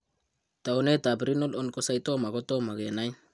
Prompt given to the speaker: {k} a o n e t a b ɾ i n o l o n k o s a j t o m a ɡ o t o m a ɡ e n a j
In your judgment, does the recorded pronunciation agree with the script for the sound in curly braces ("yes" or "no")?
no